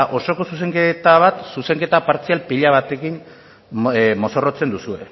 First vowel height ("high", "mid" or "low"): mid